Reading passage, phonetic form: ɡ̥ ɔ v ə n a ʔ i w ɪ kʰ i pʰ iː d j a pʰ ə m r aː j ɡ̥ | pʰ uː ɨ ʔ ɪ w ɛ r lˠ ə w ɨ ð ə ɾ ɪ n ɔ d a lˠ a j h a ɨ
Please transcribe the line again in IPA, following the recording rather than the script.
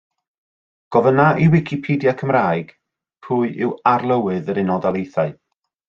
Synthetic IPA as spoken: ɡ̥ ɔ v ə n a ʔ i w ɪ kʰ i pʰ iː d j a kʰ ə m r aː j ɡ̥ | pʰ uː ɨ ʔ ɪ w a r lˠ ə w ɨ ð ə ɾ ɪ n ɔ d a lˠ e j θ a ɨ